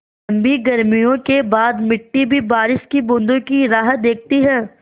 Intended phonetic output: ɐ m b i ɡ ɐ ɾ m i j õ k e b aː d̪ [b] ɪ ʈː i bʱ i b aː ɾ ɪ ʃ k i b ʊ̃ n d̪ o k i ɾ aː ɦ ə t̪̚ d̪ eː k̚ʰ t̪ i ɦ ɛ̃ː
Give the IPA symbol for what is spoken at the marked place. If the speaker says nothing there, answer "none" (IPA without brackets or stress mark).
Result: m